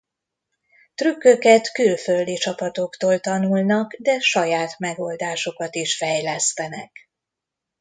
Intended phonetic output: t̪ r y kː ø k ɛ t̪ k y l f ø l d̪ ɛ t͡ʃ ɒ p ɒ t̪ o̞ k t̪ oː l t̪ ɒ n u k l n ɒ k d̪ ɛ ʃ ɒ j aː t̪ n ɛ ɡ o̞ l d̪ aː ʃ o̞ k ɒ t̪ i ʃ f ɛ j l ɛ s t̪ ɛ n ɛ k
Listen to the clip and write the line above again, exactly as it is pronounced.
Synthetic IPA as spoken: t̪ r y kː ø k ɛ t̪ k y l f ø l d̪ i t͡ʃ ɒ p ɒ t̪ o̞ k t̪ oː l t̪ ɒ n u l n ɒ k d̪ ɛ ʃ ɒ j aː t̪ m ɛ ɡ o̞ l d̪ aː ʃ o̞ k ɒ t̪ i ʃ f ɛ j l ɛ s t̪ ɛ n ɛ k